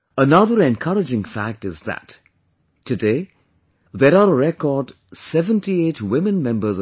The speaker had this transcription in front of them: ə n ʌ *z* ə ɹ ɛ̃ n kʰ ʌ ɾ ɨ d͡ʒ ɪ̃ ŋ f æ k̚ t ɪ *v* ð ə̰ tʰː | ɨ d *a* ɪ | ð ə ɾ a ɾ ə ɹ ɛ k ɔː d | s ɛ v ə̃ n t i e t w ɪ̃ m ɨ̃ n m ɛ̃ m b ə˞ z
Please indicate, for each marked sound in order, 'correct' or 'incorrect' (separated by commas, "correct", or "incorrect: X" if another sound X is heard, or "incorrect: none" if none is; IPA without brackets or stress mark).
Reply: incorrect: ð, incorrect: z, incorrect: e